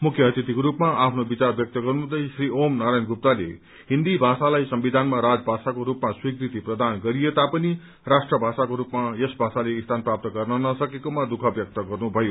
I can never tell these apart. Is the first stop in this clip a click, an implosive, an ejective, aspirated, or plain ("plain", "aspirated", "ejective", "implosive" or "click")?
aspirated